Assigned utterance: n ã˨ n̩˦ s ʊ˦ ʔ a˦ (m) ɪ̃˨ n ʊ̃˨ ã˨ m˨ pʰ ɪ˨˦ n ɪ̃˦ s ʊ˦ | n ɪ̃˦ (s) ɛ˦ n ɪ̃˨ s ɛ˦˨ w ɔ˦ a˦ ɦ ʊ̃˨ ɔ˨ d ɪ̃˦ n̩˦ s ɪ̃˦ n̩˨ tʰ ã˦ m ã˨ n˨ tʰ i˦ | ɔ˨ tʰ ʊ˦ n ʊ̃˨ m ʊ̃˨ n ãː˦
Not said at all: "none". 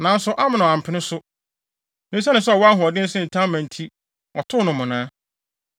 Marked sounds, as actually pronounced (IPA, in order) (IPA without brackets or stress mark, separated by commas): m, s